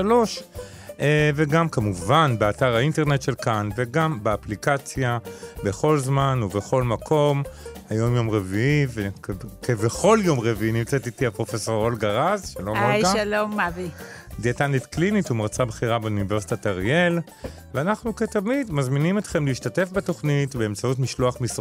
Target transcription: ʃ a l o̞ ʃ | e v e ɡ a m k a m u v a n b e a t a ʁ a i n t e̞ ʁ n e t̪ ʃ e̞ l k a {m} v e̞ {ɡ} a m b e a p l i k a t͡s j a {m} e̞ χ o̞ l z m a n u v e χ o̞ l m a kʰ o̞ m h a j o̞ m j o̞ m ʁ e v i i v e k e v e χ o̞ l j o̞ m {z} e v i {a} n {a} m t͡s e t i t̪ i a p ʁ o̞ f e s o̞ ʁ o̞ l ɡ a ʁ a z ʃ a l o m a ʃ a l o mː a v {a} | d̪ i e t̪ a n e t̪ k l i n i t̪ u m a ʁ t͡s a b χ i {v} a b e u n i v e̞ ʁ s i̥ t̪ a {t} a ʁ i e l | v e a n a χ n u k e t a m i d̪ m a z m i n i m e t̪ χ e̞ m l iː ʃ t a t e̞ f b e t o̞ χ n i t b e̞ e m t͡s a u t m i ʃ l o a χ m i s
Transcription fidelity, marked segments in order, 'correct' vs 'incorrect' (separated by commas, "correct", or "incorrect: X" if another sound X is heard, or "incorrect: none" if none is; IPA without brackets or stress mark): incorrect: n, correct, incorrect: b, incorrect: ʁ, incorrect: i, incorrect: i, incorrect: i, incorrect: ʁ, correct